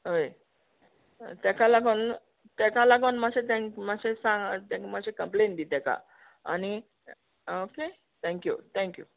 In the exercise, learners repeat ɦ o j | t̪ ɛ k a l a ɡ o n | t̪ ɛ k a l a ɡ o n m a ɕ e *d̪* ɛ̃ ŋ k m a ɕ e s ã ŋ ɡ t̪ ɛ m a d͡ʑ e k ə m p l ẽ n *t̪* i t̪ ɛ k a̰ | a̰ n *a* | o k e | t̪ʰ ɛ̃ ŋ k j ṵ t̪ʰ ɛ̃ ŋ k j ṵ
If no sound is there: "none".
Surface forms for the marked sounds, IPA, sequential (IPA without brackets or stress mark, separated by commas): t̪, d̪, i